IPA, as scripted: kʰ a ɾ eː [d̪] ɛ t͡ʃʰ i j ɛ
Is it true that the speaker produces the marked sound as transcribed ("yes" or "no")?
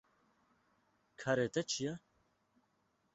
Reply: no